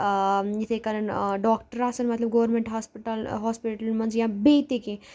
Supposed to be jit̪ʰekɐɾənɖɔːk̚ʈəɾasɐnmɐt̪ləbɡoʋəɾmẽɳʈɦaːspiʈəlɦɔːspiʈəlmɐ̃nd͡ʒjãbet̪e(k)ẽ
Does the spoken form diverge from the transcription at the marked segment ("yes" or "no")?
no